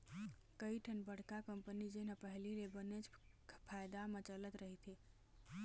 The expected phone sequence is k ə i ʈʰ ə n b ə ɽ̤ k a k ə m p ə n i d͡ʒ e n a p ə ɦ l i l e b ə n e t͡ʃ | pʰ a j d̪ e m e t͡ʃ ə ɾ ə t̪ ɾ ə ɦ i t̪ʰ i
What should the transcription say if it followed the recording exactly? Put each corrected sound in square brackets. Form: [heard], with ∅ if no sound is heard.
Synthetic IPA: k ə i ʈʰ ə n b ə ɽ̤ k a k ə m p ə n i d͡ʒ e n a p ə ɦ l i l e b ə n e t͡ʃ | pʰ a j d̪ [a] m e t͡ʃ ə [l] ə t̪ ɾ ə ɦ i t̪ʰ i